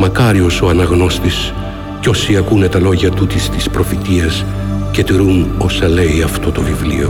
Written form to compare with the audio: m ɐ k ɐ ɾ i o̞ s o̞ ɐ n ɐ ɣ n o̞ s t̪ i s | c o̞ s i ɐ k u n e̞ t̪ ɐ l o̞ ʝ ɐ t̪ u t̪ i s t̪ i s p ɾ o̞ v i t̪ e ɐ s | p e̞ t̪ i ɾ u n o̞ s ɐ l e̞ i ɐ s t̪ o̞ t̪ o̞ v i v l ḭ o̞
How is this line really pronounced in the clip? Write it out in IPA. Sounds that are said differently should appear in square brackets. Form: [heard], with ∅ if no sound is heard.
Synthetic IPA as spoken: m ɐ k ɐ ɾ i o̞ s o̞ ɐ n ɐ ɣ n o̞ s t̪ i s | c o̞ s i ɐ k u n e̞ t̪ ɐ l o̞ ʝ ɐ t̪ u t̪ i s t̪ i s p ɾ o̞ [f] i t̪ [i] ɐ s | [c] e̞ t̪ i ɾ u n o̞ s ɐ l e̞ i ɐ [f] t̪ o̞ t̪ o̞ v i v l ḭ o̞